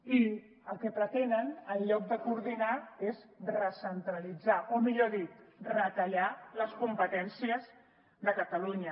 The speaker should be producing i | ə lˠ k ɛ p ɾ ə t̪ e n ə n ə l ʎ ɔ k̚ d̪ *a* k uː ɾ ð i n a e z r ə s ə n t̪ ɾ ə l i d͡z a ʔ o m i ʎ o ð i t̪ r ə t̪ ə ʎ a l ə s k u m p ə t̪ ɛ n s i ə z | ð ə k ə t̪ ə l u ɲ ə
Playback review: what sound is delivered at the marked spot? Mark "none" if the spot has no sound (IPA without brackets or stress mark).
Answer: ə